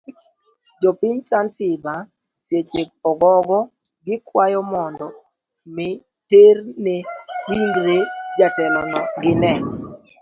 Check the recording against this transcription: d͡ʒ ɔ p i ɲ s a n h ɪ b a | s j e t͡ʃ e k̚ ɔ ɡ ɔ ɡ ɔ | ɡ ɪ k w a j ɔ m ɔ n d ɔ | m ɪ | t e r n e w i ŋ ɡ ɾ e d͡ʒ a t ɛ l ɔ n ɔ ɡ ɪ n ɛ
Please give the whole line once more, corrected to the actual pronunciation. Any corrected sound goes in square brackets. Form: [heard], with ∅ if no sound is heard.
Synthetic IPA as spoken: d͡ʒ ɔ p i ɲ s a n [s] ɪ b a | s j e t͡ʃ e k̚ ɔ ɡ ɔ ɡ ɔ | ɡ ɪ k w a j ɔ m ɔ n d ɔ | m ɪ | t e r n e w i ŋ ɡ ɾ e d͡ʒ a t ɛ l ɔ n ɔ ɡ ɪ n ɛ